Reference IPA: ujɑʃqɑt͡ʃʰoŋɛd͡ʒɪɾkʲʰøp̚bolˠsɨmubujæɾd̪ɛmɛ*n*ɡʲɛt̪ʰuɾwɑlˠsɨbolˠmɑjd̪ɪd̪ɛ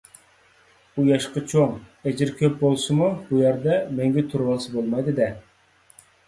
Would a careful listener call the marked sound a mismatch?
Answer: yes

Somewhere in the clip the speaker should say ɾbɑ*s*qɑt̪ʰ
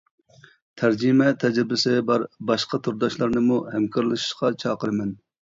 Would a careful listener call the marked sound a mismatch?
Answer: yes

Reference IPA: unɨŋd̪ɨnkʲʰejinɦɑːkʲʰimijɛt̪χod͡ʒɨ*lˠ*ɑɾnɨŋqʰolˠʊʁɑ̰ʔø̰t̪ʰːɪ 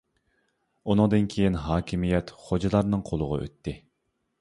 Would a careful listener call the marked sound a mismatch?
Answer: no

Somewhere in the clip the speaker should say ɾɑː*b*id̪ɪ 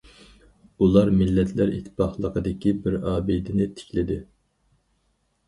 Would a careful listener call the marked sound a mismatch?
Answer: no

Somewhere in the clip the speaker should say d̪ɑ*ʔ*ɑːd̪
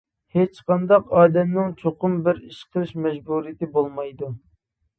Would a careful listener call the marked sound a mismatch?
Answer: yes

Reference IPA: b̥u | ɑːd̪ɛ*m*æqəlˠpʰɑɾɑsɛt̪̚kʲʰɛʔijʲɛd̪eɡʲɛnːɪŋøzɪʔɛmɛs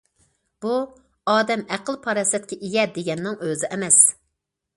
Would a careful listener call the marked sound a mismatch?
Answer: no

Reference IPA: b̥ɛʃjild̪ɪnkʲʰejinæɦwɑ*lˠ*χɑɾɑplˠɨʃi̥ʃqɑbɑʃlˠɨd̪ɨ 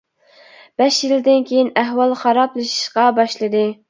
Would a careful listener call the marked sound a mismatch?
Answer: no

